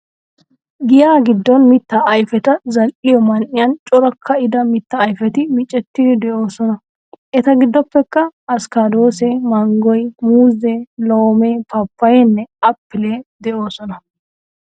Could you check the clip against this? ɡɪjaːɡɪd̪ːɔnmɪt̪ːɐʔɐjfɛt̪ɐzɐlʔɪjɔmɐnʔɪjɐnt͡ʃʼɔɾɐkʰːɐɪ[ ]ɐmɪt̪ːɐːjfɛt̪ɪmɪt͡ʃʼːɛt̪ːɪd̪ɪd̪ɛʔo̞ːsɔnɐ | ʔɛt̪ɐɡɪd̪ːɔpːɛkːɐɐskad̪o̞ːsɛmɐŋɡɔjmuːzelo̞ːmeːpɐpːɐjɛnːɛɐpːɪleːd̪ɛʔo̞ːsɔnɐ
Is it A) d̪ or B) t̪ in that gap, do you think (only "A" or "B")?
A